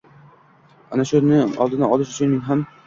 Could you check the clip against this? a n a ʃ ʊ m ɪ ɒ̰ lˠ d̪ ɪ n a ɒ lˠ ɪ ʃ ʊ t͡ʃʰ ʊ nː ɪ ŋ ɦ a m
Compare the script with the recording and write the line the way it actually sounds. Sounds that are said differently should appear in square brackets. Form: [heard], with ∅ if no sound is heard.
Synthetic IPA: a n a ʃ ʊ [n] ɪ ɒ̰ lˠ d̪ ɪ n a ɒ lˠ ɪ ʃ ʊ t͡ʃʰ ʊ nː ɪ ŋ ɦ a m